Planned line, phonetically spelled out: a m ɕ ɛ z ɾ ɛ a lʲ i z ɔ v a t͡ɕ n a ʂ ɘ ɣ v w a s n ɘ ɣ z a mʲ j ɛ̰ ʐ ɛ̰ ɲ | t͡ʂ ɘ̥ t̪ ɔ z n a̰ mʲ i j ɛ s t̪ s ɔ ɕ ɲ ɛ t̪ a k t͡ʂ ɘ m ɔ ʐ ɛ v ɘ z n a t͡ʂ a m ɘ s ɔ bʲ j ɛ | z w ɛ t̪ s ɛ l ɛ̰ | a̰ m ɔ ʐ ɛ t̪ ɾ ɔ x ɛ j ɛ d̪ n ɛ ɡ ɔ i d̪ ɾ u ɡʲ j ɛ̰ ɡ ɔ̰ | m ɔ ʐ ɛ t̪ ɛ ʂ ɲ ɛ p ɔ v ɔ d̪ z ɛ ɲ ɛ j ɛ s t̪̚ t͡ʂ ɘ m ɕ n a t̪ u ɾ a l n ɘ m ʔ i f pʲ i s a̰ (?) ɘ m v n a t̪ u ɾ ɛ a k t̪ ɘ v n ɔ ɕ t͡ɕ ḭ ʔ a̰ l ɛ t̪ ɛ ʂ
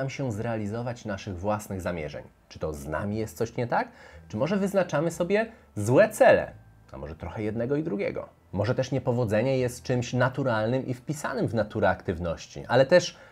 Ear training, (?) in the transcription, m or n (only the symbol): n